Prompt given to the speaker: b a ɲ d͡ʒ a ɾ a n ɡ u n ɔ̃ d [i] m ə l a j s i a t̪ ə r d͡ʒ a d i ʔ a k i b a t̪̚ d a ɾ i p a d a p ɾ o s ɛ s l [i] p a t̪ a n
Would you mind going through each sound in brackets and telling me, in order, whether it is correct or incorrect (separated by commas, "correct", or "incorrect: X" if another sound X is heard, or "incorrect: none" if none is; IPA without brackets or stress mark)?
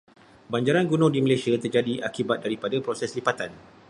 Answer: correct, correct